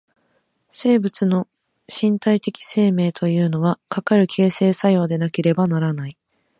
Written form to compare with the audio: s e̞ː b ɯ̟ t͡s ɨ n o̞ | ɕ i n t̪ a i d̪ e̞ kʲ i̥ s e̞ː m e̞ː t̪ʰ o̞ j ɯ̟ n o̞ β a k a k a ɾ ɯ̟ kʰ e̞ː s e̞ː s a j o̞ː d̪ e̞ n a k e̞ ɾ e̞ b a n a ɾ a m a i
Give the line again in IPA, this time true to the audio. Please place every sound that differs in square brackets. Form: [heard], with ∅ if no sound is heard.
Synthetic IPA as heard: s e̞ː b ɯ̟ t͡s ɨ n o̞ | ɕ [ĩ] n t̪ a i [t̪] e̞ kʲ i̥ s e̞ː m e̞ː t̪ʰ o̞ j [ɯ̟ː] n o̞ β a k a k a ɾ ɯ̟ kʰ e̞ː s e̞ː s a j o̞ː d̪ e̞ n a k e̞ ɾ e̞ b a n a ɾ a [n] a i